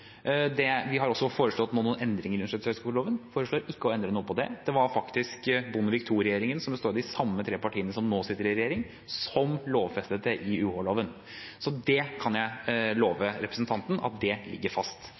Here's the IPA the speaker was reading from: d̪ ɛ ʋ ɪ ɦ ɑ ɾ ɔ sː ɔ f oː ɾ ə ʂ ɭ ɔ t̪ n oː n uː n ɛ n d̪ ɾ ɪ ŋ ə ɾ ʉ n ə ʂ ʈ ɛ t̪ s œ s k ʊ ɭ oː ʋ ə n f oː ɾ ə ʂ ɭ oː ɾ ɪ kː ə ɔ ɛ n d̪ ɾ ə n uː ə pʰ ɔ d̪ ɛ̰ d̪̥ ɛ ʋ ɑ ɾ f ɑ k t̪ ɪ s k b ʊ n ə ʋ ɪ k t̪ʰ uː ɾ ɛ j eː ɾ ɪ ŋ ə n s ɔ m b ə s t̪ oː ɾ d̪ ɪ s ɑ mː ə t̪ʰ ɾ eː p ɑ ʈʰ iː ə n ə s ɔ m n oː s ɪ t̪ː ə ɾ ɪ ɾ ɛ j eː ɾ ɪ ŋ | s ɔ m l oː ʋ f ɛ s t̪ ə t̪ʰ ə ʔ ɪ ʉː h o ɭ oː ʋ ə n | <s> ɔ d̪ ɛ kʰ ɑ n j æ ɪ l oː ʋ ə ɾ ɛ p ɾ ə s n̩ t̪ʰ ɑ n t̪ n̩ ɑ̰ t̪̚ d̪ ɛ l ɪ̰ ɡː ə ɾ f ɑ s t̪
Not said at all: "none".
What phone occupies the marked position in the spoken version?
s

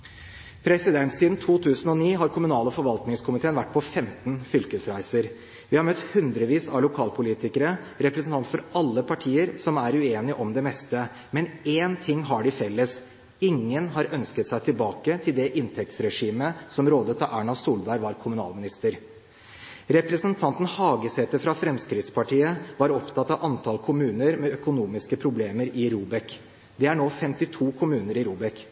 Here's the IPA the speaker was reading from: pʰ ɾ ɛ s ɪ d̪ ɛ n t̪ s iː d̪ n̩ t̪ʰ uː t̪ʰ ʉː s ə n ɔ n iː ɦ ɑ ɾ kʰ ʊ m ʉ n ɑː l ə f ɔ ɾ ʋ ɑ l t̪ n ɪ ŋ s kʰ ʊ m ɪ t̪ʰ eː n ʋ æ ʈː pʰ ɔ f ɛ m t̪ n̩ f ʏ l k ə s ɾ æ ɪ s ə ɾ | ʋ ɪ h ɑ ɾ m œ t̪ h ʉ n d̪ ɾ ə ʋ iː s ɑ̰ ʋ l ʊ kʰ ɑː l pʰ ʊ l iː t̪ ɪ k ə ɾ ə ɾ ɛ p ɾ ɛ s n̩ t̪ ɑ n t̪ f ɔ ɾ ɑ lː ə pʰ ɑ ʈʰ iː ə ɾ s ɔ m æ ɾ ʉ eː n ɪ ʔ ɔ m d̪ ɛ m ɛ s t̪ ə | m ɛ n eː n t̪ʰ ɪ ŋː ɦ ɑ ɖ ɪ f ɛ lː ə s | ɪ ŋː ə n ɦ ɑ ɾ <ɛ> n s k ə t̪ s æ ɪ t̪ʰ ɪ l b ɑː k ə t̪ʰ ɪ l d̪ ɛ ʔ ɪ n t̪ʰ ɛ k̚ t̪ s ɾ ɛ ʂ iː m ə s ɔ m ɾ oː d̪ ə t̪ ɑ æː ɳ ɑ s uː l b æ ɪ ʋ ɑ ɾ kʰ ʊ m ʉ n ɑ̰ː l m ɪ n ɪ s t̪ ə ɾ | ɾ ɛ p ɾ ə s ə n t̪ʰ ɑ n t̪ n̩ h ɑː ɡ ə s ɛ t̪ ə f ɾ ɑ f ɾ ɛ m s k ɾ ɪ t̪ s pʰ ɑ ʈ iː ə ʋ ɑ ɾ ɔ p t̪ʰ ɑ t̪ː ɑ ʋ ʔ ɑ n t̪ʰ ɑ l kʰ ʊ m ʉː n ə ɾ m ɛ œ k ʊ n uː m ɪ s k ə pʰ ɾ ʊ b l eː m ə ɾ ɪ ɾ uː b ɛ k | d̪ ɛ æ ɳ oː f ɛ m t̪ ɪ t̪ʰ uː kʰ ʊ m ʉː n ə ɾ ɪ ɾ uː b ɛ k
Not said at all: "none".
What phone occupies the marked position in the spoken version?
œ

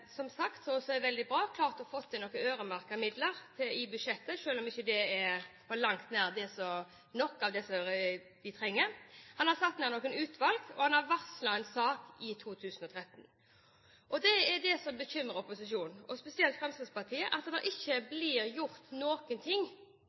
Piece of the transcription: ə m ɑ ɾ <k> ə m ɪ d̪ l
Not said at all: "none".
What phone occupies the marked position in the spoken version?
k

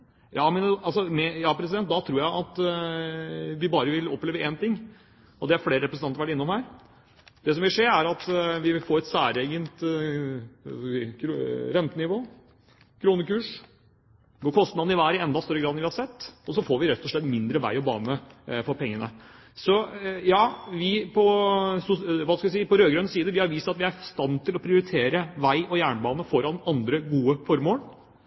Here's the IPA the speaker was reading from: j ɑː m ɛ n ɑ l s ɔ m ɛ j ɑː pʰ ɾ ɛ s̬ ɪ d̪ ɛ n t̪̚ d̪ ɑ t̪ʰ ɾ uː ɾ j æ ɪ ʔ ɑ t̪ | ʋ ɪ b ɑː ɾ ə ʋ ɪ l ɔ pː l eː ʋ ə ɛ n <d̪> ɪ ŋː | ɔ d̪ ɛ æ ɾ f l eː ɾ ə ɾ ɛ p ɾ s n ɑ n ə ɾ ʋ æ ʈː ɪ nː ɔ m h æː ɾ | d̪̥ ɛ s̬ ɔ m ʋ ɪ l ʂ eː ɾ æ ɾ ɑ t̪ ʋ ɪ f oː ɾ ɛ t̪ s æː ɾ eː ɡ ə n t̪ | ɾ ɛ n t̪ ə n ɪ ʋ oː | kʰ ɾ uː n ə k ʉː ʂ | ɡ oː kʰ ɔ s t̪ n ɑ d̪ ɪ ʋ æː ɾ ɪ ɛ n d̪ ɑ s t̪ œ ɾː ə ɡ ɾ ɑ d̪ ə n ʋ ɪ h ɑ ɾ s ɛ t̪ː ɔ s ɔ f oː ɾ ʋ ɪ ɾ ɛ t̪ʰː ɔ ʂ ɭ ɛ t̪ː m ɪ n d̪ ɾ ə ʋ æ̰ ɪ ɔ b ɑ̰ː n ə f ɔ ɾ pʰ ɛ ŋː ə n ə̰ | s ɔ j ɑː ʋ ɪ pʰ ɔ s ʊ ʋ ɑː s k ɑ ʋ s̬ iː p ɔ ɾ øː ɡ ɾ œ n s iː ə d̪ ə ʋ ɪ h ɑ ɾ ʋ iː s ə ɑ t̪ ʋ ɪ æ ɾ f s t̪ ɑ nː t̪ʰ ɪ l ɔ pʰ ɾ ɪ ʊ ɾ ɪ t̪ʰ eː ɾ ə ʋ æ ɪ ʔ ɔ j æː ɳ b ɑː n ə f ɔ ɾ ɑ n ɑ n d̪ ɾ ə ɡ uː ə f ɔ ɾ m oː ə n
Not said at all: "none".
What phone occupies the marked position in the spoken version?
t̪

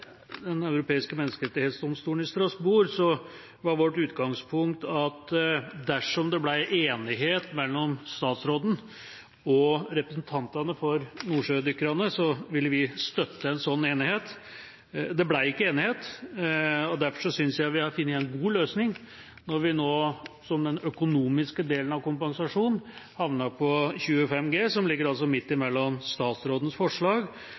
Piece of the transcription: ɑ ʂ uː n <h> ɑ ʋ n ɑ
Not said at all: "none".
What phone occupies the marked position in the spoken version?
h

